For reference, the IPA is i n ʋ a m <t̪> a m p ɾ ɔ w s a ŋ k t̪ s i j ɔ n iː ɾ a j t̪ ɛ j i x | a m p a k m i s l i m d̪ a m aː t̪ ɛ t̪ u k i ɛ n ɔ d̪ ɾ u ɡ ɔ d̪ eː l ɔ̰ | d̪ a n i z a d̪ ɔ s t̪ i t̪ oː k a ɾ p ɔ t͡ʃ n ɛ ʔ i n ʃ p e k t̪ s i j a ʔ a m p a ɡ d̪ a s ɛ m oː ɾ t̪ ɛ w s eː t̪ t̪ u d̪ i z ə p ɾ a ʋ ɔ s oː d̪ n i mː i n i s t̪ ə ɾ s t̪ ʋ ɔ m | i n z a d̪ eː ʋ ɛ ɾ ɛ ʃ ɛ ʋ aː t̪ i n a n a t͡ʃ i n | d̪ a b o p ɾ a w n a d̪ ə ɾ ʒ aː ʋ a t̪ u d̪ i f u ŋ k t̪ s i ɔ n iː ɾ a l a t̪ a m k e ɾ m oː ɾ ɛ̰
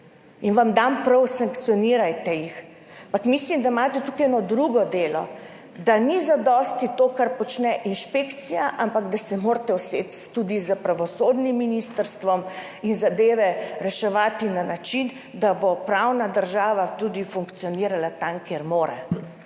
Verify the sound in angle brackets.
incorrect: d̪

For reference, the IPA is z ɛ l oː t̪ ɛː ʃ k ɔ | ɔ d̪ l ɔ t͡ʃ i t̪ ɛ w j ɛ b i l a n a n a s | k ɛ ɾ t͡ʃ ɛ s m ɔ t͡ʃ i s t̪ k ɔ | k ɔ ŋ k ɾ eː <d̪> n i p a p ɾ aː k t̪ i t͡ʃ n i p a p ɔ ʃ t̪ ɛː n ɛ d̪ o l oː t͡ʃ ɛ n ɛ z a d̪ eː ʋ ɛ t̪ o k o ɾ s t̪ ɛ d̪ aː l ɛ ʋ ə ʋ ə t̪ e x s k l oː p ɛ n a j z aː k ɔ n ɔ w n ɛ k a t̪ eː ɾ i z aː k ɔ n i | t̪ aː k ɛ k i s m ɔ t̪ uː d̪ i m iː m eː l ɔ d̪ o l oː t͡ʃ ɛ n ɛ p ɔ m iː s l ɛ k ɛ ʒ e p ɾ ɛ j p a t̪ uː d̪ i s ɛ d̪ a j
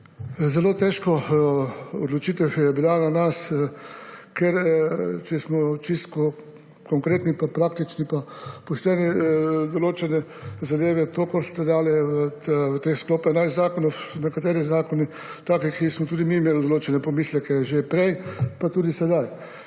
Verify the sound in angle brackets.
incorrect: t̪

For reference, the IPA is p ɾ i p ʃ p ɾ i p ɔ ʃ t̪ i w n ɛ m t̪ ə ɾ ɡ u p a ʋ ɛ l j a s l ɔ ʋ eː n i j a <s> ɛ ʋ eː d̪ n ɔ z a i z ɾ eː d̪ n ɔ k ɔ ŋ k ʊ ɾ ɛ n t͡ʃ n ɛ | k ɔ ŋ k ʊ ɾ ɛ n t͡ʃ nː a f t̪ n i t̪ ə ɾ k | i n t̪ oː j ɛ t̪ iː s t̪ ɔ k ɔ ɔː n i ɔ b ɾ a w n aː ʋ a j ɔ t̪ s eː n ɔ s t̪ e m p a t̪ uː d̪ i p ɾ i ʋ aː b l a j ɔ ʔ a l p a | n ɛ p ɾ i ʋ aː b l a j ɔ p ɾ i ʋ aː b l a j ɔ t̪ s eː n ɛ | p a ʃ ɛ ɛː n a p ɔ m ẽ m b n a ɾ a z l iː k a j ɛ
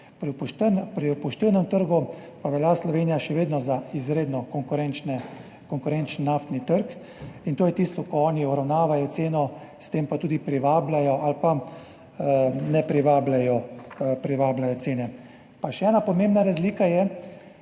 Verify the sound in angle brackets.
incorrect: ʃ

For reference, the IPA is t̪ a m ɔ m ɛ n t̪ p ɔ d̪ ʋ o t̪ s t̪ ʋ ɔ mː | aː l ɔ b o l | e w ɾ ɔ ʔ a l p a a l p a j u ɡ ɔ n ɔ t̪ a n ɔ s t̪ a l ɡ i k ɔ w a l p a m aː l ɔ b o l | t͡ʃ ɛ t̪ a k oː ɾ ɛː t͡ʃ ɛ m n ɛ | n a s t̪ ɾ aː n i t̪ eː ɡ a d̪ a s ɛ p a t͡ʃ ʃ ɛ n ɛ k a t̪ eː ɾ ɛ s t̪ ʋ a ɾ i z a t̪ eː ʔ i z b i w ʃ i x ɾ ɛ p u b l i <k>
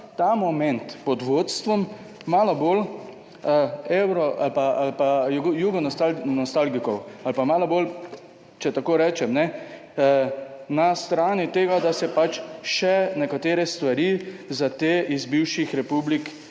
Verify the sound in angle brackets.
correct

